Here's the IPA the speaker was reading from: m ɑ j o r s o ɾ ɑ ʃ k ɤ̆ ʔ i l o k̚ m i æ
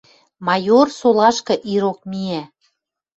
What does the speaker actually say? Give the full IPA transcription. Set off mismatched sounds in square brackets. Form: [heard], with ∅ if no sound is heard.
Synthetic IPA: m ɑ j o r s o [l] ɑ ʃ k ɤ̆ ʔ i [ɾ] o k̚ m i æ